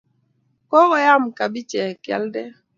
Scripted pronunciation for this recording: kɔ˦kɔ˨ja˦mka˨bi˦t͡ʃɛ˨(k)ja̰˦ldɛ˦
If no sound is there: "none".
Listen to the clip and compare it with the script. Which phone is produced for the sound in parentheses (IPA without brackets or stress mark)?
k